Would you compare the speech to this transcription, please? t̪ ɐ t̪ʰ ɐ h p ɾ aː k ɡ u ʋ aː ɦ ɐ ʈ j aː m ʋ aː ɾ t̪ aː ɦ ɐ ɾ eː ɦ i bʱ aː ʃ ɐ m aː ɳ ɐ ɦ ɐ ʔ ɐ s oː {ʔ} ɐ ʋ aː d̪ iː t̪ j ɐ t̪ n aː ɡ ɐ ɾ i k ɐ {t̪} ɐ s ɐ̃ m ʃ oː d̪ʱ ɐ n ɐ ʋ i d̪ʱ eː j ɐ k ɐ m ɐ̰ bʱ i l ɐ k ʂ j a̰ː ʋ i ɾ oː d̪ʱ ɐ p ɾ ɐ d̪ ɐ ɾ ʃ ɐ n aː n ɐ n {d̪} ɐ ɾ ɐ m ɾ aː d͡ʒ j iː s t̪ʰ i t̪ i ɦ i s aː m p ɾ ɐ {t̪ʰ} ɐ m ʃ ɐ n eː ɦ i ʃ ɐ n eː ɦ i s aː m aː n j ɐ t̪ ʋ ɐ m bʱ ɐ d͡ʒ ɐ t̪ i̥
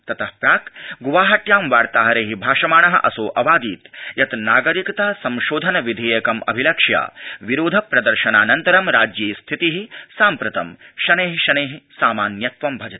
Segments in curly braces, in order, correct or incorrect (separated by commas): correct, correct, incorrect, incorrect